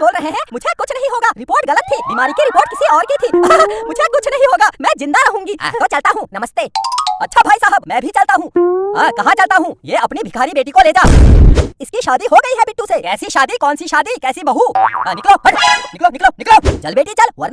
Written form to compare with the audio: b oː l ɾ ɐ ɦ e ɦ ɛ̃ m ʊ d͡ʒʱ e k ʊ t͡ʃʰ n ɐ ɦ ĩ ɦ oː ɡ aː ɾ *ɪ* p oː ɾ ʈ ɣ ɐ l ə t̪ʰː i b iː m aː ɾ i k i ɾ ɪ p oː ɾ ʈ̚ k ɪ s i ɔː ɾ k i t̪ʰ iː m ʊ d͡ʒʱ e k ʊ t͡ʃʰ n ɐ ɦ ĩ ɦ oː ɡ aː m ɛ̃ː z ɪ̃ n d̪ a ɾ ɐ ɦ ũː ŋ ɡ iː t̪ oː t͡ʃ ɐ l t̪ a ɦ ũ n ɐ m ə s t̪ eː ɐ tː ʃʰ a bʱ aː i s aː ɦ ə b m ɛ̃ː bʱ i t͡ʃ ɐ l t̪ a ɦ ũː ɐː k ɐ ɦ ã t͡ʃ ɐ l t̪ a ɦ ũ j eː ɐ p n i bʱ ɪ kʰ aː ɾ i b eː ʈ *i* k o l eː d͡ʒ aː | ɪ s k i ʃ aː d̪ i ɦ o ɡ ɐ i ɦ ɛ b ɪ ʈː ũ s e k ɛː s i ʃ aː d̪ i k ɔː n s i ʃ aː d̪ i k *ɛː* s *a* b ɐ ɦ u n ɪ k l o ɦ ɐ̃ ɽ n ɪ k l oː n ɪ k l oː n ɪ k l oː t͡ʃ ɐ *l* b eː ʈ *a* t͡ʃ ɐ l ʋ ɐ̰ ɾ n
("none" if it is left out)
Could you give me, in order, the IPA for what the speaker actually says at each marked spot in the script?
ɪ, i, ɛː, i, l, i

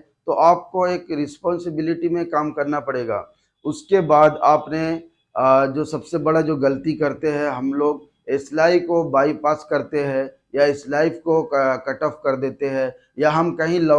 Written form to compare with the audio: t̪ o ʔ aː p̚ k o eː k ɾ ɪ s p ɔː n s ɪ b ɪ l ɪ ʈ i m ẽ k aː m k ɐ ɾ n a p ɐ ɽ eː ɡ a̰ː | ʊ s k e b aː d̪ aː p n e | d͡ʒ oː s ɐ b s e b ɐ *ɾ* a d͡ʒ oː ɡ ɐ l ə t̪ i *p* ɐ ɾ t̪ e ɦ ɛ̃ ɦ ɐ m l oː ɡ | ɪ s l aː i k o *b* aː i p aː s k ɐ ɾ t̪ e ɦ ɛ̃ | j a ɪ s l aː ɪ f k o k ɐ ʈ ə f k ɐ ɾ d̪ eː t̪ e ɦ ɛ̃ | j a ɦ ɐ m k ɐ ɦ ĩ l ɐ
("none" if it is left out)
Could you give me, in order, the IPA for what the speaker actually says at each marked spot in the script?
ɽ, k, b

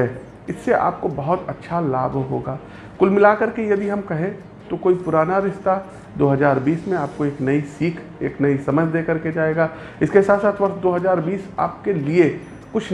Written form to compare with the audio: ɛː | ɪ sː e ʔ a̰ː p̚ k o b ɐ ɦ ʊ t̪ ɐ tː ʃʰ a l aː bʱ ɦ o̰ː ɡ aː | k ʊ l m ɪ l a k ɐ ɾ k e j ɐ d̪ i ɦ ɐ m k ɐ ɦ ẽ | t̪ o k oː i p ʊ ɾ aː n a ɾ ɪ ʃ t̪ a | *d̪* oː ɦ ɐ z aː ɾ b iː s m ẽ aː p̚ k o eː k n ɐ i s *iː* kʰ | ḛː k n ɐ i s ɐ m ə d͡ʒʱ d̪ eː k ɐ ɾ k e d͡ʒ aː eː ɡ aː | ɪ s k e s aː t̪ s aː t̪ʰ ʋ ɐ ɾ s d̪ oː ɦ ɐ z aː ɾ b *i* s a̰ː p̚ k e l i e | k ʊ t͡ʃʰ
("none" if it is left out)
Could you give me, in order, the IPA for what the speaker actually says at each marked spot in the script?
d̪, iː, iː

